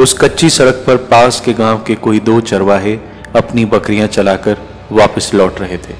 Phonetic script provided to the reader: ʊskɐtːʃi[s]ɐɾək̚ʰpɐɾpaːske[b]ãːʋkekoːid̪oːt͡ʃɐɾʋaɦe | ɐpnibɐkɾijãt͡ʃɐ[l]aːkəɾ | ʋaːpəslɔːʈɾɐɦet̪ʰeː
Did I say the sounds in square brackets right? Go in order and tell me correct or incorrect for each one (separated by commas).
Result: correct, incorrect, correct